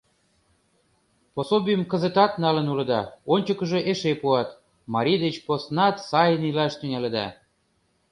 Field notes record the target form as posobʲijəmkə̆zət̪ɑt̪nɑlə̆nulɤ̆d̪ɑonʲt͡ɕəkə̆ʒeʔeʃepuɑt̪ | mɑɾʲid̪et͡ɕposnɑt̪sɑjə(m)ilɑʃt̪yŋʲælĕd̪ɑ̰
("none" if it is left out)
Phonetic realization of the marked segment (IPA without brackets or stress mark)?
n